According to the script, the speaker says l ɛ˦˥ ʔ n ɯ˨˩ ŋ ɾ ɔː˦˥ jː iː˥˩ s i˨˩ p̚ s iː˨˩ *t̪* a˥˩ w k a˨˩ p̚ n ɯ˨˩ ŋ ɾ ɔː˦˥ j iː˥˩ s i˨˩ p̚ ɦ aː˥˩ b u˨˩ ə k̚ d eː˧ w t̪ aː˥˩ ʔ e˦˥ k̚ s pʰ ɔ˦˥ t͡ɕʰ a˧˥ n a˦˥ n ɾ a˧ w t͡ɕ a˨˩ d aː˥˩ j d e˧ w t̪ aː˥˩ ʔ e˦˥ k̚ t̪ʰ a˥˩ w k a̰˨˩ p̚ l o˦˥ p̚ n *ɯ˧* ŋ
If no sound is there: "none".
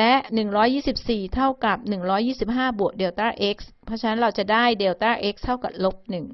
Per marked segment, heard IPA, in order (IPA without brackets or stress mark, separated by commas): t̪ʰ, ɯ˨˩